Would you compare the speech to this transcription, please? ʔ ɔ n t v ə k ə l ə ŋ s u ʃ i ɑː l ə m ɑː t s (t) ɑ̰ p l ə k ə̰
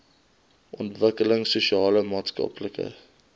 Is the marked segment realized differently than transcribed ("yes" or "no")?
yes